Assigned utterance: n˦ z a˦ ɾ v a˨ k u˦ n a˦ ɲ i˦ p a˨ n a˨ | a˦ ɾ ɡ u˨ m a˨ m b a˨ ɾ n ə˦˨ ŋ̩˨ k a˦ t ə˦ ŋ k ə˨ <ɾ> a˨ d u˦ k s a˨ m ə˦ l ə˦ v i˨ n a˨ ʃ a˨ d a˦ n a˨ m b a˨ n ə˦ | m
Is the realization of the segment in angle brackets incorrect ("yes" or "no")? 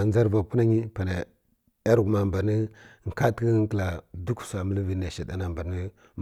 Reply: yes